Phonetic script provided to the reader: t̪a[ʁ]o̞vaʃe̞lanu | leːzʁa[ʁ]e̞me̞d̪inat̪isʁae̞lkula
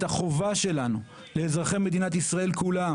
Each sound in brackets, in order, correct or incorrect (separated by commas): incorrect, incorrect